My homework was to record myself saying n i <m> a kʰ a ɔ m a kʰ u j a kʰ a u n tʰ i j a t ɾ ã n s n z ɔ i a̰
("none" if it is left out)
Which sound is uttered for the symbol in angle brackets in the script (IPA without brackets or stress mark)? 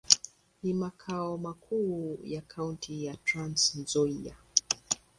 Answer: m